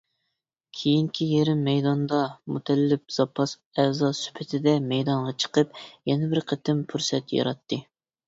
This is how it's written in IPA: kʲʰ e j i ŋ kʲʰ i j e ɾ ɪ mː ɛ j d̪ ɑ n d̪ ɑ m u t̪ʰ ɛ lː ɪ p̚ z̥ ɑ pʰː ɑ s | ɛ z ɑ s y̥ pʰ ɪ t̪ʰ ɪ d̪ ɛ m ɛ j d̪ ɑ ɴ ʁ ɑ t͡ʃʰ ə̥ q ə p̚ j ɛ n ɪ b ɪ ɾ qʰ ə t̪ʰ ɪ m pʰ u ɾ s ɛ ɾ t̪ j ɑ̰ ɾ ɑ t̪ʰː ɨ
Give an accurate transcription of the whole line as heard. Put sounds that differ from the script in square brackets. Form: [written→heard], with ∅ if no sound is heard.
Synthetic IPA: kʲʰ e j i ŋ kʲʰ i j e ɾ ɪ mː ɛ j d̪ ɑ n d̪ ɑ m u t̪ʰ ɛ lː ɪ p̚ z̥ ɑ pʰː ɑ s | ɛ z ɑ s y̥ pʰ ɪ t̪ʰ ɪ d̪ ɛ m ɛ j d̪ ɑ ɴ ʁ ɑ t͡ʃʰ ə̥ q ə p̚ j ɛ n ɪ b ɪ ɾ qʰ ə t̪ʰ ɪ m pʰ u ɾ s ɛ [ɾ→∅] t̪ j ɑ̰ ɾ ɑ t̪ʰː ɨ